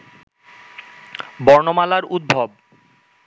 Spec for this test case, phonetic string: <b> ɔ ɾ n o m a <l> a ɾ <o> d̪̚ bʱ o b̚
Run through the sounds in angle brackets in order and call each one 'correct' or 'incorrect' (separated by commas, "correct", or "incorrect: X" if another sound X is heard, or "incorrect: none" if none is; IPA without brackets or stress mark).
correct, correct, incorrect: u